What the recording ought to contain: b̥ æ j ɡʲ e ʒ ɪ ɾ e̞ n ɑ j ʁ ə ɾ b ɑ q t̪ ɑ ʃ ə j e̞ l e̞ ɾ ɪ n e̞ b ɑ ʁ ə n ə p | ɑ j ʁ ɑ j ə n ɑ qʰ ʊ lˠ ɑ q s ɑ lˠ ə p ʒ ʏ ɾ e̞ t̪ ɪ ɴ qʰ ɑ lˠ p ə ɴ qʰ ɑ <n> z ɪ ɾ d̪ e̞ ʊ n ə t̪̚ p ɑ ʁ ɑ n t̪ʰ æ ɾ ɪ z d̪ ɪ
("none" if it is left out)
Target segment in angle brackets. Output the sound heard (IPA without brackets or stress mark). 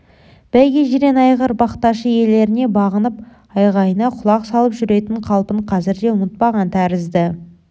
none